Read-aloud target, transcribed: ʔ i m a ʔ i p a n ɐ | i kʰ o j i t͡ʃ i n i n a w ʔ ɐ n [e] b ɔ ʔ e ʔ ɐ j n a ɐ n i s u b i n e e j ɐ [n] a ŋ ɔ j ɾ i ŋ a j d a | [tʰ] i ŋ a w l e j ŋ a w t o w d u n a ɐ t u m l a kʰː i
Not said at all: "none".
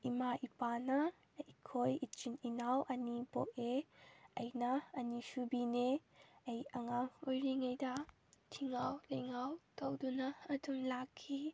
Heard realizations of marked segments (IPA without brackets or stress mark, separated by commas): i, ŋ, tʰ